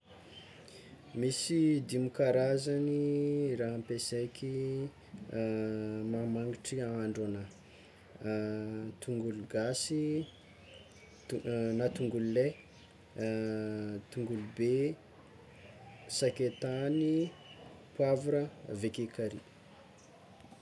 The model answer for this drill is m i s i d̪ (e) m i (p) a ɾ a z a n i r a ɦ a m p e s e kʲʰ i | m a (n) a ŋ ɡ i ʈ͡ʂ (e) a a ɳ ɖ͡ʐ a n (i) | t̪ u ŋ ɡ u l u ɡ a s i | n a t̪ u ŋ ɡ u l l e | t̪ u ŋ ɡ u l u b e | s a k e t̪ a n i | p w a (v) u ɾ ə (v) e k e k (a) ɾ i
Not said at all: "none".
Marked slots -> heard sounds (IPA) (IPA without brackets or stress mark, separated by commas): i, k, m, i, a, v, v, a